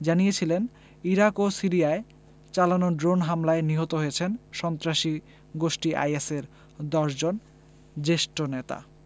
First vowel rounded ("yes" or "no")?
no